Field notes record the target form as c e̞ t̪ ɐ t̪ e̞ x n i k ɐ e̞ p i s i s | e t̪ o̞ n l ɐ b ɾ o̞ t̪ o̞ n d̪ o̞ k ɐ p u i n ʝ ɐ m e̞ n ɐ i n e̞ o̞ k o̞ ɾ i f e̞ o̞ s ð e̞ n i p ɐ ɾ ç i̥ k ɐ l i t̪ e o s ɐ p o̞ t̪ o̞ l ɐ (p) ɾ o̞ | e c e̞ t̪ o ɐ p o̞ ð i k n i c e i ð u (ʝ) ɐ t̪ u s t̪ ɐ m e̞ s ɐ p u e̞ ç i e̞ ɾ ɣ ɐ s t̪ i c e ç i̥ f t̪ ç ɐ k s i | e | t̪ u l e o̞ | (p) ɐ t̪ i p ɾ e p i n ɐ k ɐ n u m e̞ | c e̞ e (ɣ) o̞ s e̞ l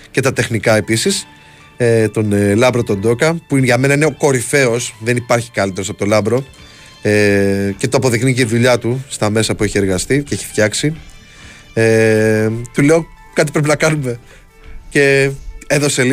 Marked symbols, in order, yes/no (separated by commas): no, no, no, no